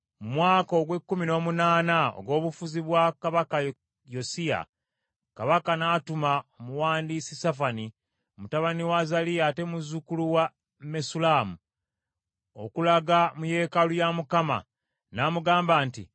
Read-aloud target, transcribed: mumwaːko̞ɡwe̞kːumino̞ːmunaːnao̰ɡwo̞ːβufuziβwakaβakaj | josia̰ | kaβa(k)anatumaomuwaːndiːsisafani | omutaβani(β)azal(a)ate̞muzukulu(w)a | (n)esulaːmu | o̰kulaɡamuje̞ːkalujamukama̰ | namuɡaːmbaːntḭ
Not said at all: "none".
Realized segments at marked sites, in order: k, w, i, w, m

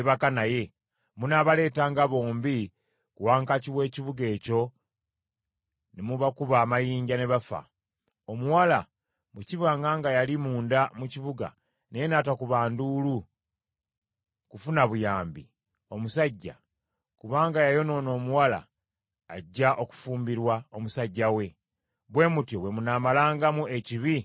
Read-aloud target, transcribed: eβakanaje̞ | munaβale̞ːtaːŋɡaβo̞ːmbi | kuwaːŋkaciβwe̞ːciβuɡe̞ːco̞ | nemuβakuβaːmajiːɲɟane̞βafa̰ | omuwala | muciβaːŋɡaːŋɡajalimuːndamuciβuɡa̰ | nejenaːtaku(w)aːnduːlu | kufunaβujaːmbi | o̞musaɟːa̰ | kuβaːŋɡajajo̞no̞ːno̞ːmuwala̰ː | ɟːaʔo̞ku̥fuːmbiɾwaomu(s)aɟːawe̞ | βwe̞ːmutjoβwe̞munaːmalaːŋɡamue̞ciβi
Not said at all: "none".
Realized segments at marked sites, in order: β, s

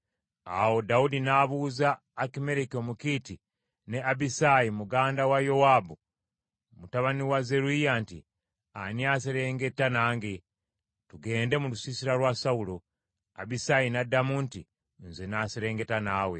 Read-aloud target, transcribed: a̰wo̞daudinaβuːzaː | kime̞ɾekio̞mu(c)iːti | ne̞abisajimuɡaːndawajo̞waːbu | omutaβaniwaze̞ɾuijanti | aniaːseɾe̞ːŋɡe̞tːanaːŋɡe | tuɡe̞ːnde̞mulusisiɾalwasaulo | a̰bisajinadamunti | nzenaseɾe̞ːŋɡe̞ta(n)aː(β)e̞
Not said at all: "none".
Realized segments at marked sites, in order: k, n, w

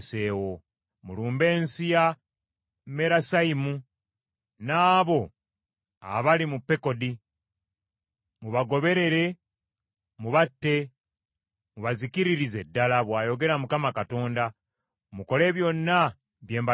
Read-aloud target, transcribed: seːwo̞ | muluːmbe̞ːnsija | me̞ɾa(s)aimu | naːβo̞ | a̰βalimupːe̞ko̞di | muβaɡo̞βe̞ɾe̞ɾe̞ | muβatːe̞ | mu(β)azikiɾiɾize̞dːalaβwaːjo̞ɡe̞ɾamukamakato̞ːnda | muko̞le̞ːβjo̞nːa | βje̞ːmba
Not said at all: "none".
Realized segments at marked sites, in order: s, β

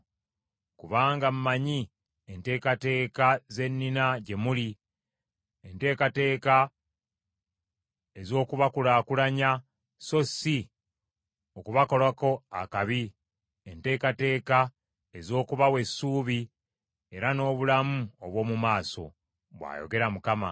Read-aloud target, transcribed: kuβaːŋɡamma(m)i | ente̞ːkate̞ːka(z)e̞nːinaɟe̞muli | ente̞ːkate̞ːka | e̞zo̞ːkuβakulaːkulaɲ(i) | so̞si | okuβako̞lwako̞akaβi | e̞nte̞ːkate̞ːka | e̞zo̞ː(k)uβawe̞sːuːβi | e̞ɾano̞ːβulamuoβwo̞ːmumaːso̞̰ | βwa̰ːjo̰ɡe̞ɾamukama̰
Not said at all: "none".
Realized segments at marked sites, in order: ɲ, z, a, k

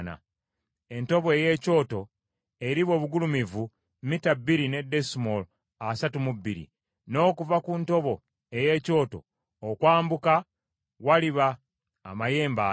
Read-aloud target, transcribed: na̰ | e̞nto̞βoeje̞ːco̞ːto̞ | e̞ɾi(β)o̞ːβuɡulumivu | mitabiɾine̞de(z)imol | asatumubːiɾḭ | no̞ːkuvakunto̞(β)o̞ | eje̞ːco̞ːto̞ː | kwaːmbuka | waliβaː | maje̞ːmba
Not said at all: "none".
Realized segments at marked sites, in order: β, s, β

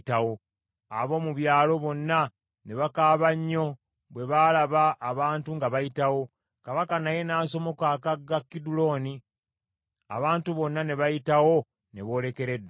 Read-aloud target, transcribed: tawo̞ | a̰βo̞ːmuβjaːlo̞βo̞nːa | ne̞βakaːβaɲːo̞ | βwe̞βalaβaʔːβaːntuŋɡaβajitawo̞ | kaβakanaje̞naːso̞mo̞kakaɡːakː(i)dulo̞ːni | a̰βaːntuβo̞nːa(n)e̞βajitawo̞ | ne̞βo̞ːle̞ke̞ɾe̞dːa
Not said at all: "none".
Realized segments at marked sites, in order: i, n

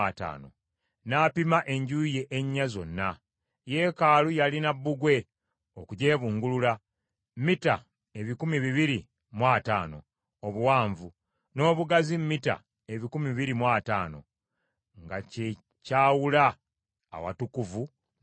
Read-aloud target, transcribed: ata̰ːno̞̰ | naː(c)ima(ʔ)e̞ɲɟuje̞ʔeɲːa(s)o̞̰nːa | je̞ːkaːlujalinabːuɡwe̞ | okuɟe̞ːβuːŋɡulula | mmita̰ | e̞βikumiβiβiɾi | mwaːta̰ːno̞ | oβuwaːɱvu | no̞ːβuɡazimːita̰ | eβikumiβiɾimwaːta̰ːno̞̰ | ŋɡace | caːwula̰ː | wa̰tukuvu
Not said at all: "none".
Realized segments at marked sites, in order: p, ʔ, z

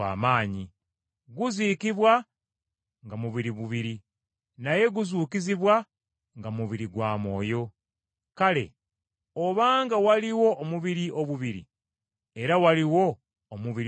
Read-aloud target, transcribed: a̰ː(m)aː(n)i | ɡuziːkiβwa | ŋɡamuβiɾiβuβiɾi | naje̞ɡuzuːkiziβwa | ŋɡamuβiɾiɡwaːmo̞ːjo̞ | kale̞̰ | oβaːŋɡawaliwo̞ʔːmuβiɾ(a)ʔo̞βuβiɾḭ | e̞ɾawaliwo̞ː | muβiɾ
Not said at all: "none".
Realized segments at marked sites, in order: m, ɲ, i

